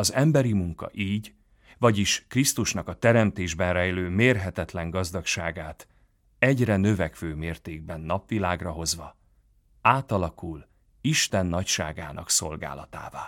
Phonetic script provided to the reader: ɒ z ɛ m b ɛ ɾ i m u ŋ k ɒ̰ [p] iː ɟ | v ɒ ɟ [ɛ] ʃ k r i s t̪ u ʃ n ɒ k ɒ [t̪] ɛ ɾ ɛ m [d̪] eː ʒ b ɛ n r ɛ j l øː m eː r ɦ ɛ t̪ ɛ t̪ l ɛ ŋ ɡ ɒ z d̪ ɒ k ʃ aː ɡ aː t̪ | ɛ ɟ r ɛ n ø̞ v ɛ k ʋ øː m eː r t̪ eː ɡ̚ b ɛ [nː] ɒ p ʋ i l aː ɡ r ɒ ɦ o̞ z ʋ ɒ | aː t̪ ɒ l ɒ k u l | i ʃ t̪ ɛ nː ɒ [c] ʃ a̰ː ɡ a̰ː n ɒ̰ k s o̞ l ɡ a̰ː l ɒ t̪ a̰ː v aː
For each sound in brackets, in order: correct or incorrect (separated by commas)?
incorrect, incorrect, correct, incorrect, correct, correct